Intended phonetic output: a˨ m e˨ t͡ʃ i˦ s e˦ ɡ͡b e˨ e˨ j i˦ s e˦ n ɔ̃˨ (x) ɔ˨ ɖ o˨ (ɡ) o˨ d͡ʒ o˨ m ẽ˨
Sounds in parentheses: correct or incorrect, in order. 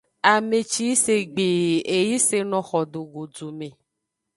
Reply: correct, correct

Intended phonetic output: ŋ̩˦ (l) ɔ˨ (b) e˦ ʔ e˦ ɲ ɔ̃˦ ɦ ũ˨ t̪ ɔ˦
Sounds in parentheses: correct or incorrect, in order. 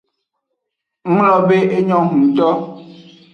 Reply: correct, correct

